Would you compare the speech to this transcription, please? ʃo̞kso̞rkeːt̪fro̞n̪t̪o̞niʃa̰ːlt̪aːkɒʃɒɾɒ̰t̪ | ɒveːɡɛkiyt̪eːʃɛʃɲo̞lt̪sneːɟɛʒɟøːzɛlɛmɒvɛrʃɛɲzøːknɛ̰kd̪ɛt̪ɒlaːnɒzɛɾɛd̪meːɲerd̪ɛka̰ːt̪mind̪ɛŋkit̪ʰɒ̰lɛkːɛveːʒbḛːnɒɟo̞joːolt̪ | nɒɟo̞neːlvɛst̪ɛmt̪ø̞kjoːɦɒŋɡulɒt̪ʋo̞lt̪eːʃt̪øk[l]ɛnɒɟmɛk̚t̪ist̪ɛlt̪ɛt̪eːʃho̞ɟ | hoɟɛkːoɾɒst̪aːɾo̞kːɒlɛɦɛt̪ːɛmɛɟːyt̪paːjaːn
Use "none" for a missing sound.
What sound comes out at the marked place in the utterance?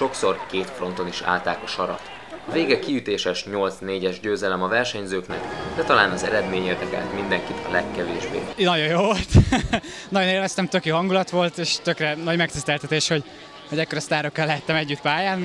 r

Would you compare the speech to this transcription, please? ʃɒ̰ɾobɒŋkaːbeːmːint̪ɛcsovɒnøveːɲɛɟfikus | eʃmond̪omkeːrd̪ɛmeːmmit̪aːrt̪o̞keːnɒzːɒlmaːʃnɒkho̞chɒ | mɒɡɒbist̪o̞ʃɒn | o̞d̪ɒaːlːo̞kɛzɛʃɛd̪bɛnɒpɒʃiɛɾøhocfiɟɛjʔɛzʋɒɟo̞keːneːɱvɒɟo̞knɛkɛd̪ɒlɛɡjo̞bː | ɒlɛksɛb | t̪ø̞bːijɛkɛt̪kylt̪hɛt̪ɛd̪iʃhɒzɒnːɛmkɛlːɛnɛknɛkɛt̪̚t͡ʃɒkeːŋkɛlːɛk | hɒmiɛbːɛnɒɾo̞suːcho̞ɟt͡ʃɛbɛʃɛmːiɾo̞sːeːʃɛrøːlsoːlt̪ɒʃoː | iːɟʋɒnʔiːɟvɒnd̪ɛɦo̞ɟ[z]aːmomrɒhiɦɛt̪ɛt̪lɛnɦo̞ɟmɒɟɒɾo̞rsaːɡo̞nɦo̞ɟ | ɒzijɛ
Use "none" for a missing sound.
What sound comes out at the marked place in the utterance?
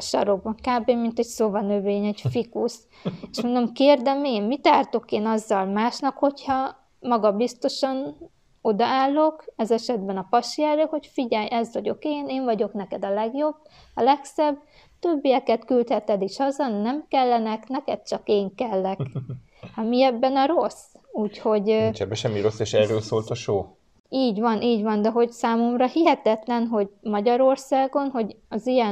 s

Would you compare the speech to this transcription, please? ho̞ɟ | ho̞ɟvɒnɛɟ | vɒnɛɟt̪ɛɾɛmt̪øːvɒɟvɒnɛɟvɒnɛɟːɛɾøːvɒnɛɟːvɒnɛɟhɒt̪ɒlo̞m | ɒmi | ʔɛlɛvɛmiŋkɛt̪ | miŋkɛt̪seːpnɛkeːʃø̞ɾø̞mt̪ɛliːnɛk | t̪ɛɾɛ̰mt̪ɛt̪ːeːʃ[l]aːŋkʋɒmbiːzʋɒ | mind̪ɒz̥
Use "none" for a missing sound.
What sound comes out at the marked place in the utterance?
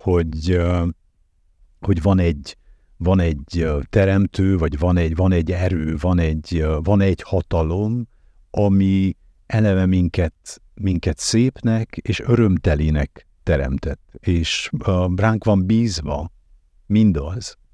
r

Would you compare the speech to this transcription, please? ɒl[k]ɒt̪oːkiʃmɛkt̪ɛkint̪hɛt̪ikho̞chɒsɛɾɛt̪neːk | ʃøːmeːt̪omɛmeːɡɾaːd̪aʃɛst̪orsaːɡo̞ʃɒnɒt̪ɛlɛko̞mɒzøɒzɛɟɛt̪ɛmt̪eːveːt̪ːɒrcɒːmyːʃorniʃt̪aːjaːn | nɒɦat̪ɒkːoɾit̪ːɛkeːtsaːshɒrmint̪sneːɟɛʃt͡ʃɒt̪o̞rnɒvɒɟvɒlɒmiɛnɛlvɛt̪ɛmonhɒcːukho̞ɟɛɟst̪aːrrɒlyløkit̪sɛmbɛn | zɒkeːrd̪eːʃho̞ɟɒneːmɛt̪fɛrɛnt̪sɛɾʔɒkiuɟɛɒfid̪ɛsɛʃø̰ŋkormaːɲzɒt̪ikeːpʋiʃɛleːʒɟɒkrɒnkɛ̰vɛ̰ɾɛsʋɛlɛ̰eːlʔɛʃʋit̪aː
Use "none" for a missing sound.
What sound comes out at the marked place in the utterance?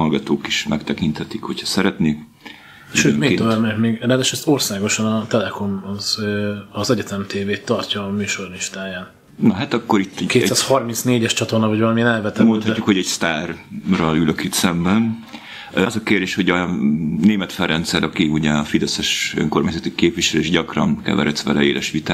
ɡ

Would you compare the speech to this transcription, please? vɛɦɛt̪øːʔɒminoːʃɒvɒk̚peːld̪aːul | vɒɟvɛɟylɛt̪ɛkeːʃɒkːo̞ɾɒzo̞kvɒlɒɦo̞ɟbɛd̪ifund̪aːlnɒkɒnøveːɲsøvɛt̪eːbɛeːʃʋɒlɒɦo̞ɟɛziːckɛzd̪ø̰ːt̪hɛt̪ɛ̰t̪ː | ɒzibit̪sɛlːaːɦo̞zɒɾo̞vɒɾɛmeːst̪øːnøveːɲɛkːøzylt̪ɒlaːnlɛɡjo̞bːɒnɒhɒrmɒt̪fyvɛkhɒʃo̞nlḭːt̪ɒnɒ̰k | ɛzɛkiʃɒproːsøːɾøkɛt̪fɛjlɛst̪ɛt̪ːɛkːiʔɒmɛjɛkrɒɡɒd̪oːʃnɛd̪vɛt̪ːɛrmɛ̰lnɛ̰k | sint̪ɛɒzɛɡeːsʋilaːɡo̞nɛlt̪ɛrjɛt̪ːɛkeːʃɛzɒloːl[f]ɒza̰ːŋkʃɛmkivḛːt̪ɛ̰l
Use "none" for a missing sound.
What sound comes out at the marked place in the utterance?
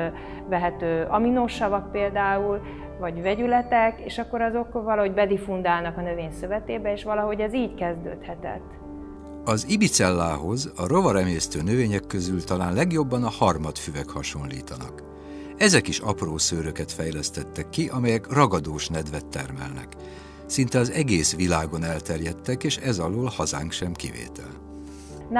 h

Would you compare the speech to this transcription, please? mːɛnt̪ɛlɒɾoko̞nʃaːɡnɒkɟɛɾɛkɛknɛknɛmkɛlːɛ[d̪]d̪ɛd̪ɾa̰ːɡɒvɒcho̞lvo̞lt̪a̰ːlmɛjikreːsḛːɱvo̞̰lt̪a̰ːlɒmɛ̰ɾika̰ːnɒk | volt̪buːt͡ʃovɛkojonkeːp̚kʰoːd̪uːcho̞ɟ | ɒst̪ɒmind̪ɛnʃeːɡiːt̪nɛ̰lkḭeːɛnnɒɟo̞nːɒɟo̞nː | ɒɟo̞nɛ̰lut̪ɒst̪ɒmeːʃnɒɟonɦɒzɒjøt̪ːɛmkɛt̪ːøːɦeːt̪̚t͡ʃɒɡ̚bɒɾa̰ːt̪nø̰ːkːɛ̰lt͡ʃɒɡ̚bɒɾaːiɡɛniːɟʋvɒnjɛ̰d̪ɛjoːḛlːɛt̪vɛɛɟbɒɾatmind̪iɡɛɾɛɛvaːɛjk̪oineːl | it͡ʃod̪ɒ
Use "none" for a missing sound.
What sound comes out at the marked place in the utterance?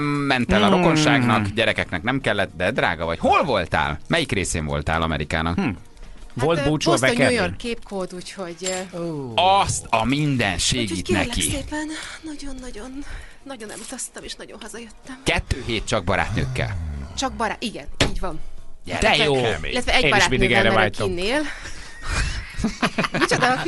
t̪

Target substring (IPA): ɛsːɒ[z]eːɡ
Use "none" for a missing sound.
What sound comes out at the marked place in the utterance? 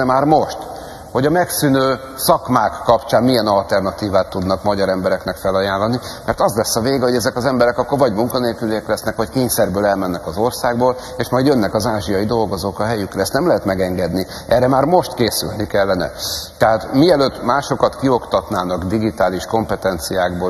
v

